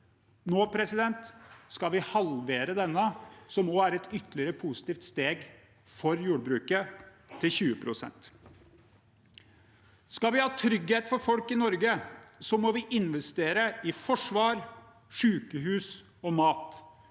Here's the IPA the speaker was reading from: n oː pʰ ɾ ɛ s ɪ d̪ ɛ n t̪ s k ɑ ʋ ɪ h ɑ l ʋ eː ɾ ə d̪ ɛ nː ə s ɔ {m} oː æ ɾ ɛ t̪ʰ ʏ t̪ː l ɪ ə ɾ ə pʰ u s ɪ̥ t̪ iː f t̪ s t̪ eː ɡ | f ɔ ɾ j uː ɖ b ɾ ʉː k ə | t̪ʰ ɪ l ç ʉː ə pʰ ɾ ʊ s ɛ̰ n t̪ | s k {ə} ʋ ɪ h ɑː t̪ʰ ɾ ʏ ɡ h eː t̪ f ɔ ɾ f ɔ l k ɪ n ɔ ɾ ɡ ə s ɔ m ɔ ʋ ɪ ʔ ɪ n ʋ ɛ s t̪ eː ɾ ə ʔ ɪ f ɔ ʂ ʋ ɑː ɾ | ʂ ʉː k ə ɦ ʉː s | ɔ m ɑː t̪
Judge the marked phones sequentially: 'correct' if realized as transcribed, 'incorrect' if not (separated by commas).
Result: correct, incorrect